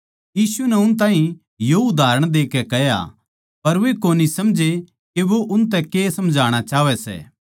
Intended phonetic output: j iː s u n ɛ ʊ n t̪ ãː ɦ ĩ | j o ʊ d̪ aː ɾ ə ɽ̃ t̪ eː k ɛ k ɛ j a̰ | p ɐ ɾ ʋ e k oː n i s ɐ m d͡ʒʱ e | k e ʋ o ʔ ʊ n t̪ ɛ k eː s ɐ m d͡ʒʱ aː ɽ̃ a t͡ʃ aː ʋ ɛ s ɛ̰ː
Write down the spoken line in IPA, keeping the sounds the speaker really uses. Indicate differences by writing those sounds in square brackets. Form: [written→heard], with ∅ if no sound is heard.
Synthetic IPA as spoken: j iː s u n ɛ ʊ n t̪ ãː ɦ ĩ | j o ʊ d̪ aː ɾ ə ɽ̃ [t̪→d̪] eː k ɛ k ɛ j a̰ | p ɐ ɾ ʋ e k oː n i s ɐ m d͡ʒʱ e | k e ʋ o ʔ ʊ n t̪ ɛ k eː s ɐ m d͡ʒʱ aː ɽ̃ a t͡ʃ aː ʋ ɛ s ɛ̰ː